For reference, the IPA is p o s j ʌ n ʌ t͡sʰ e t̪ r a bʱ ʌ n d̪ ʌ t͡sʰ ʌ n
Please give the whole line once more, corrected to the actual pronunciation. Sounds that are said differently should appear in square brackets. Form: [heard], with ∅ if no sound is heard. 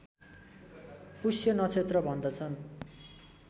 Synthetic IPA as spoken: p [u] s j ʌ n ʌ t͡sʰ e t̪ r [ʌ] bʱ ʌ n d̪ ʌ t͡sʰ ʌ n